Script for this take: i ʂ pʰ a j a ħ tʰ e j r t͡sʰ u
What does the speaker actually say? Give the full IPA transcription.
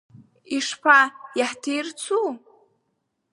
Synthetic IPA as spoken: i ʂ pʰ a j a ħ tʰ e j r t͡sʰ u